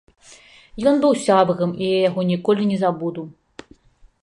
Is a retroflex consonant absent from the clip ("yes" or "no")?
yes